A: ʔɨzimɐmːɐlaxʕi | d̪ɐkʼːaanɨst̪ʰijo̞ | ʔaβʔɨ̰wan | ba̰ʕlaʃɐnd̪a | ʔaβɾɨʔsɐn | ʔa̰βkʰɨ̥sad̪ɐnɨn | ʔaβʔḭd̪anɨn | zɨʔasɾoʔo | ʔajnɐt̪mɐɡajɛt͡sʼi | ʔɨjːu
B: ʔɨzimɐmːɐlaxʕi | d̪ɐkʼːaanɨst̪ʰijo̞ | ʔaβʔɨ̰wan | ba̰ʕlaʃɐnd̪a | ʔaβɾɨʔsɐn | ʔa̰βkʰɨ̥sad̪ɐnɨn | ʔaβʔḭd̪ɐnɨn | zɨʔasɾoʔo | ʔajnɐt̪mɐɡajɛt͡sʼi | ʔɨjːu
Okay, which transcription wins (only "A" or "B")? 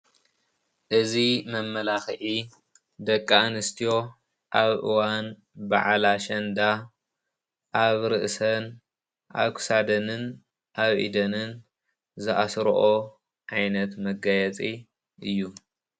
B